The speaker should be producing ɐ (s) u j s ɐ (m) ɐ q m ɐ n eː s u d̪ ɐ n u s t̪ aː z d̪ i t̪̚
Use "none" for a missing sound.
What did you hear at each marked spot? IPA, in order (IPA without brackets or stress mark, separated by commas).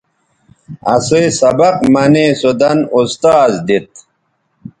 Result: s, b